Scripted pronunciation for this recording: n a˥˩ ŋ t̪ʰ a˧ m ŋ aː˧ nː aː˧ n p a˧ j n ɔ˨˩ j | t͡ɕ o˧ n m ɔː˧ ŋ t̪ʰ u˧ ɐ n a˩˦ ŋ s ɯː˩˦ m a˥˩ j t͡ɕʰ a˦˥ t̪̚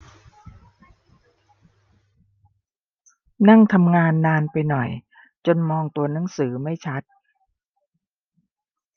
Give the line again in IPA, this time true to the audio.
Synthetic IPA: n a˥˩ ŋ t̪ʰ a˧ m ŋ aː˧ nː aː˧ n p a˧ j n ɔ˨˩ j | t͡ɕ o˧ n m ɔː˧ ŋ t̪ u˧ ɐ n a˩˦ ŋ s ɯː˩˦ m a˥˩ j t͡ɕʰ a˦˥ t̪̚

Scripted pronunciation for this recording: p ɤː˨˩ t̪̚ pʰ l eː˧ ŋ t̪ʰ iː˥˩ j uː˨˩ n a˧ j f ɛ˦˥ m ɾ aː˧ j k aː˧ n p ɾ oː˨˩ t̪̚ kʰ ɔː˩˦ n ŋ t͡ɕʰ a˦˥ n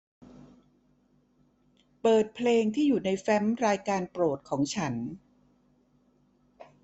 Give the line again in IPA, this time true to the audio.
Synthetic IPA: p ɤː˨˩ t̪̚ pʰ l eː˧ ŋ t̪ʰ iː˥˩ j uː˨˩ n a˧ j f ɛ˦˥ m ɾ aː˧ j k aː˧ n p ɾ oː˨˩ t̪̚ kʰ ɔː˩˦ ŋ t͡ɕʰ a˦˥ n

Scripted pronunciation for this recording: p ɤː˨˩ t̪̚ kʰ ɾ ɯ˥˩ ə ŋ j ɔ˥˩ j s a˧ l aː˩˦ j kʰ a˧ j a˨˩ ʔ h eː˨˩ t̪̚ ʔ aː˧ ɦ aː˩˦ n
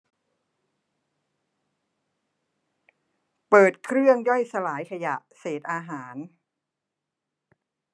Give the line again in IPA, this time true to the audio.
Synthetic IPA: p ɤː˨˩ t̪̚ kʰ ɾ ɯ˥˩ ə ŋ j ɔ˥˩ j s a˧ l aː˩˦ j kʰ a˧ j a˨˩ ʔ s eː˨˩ t̪̚ ʔ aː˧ ɦ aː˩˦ n

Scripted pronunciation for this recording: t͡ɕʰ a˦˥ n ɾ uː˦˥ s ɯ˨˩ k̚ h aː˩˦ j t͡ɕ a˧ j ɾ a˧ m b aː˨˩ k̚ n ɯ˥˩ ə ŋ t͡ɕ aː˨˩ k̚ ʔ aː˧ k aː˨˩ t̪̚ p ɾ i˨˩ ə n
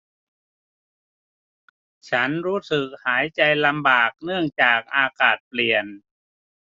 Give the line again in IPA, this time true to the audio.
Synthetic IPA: t͡ɕʰ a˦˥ n ɾ uː˦˥ s ɯ˨˩ k̚ h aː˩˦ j t͡ɕ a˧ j l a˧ m b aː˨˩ k̚ n ɯ˥˩ ə ŋ t͡ɕ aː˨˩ k̚ ʔ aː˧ k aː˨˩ t̪̚ p l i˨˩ ə n

